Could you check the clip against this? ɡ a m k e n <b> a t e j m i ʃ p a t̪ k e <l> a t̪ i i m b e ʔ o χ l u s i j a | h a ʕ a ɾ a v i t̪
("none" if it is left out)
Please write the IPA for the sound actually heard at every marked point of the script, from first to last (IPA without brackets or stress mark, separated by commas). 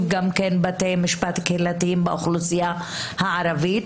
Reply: b, l